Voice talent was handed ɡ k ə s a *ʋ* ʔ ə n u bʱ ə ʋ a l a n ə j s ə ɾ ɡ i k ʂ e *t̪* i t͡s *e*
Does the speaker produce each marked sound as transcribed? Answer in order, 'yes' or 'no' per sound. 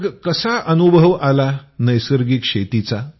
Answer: no, yes, no

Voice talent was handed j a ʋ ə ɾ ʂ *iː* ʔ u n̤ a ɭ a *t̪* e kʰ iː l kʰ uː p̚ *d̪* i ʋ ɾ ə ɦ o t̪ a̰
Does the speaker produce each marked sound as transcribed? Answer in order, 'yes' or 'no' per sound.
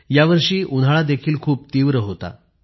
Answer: yes, no, no

